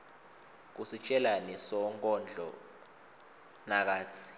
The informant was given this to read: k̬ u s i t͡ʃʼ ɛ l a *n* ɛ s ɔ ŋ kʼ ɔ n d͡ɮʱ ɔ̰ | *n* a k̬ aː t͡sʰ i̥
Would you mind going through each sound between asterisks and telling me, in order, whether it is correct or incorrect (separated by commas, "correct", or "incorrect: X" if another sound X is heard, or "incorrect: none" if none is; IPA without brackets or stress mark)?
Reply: correct, correct